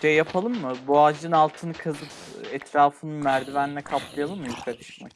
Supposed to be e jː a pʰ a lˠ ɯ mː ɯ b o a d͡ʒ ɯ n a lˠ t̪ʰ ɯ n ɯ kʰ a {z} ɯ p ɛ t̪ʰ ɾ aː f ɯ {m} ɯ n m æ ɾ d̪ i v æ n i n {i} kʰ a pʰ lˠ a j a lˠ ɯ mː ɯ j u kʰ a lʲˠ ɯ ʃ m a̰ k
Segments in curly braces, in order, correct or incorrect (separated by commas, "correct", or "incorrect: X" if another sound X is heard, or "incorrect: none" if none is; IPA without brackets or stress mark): correct, incorrect: n, incorrect: ɛ